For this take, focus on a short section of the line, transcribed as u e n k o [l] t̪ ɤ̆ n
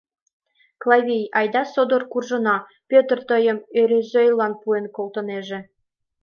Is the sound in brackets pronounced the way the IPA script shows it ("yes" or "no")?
yes